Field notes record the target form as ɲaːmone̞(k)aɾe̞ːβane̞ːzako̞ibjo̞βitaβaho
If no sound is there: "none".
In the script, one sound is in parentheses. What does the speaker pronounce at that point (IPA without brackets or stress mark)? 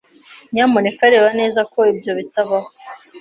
k